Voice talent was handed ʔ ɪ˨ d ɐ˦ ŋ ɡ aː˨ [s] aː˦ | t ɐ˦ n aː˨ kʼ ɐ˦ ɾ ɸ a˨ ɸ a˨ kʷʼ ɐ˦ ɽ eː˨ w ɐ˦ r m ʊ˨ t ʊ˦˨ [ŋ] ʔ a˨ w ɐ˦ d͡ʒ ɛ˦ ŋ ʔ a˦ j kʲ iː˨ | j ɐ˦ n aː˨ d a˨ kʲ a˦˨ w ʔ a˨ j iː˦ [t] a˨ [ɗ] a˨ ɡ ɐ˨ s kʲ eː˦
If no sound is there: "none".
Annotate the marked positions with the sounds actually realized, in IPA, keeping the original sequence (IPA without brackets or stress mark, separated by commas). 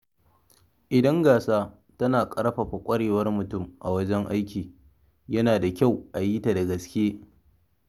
s, m, t, d